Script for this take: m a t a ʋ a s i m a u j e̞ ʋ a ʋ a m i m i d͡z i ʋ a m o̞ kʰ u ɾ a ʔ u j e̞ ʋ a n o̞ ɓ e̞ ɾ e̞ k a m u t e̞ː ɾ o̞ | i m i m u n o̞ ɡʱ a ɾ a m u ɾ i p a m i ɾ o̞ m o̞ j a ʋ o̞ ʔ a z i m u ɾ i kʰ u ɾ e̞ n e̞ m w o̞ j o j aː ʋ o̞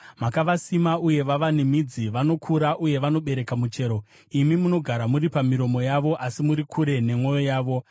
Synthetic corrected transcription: m a k a ʋ a s i m a u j e̞ ʋ a ʋ a n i m i d͡z i ʋ a n o̞ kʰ u ɾ a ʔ u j e̞ ʋ a n o̞ ɓ e̞ ɾ e̞ k a m u t͡ʃ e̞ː ɾ o̞ | i m i m u n o̞ ɡʱ a ɾ a m u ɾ i p a m i ɾ o̞ m o̞ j a ʋ o̞ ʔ a s i m u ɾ i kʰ u ɾ e̞ n e̞ m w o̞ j o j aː ʋ o̞